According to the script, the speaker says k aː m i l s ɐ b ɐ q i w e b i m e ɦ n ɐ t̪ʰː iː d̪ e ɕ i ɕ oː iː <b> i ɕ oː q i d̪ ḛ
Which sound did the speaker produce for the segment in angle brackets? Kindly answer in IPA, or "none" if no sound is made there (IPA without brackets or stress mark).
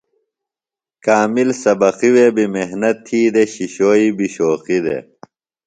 b